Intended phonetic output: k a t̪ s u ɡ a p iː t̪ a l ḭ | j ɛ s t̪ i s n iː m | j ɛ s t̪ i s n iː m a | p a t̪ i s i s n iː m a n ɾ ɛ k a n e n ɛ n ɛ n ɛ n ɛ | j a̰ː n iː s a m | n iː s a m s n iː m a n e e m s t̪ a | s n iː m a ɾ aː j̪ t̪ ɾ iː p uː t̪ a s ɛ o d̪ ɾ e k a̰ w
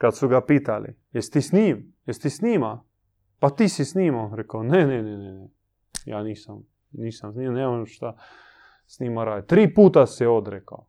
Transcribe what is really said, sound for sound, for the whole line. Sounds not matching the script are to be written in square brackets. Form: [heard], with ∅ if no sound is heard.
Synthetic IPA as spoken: k a t̪ s u ɡ a p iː t̪ a l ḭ | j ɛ s t̪ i s n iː m | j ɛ s t̪ i s n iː m a | p a t̪ i s i s n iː m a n ɾ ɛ k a n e n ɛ n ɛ n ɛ n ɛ | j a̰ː n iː s a m | n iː s a m s n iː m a n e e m [ʃ] t̪ a | s n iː m a ɾ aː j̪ t̪ ɾ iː p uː t̪ a s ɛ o d̪ ɾ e k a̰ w